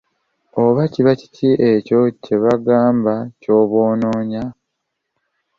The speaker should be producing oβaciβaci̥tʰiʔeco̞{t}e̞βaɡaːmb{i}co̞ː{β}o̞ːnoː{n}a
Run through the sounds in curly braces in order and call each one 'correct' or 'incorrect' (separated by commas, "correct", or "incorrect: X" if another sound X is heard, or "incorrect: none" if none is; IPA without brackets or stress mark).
incorrect: c, incorrect: a, correct, incorrect: ɲ